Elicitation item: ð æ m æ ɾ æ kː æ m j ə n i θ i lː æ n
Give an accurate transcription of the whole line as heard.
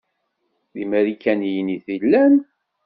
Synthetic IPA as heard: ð i m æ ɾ i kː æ n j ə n i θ i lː æ n